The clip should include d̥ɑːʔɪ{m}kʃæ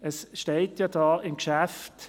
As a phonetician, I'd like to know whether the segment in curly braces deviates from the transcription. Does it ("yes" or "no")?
no